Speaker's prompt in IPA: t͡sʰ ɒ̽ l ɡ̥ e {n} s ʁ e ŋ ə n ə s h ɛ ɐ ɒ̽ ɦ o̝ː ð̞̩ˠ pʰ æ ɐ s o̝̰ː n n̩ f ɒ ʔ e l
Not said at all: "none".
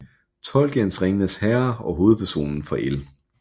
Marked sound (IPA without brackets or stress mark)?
n